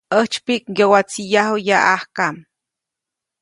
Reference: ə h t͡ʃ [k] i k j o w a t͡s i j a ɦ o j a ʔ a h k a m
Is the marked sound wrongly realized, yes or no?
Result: yes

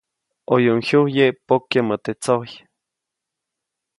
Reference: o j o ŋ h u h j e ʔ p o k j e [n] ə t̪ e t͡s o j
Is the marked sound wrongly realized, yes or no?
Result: yes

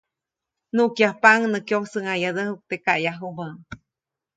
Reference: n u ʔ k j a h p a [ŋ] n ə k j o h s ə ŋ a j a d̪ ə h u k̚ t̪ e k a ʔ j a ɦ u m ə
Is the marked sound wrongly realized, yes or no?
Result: no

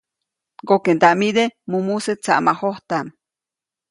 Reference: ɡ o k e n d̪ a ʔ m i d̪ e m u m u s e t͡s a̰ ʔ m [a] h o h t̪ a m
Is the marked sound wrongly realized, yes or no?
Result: no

